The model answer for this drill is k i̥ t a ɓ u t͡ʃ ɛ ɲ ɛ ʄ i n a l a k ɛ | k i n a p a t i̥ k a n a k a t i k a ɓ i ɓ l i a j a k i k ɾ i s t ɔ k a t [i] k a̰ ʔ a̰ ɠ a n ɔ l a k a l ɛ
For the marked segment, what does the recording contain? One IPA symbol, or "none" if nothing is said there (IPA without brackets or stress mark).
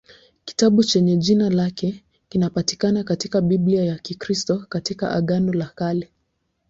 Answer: i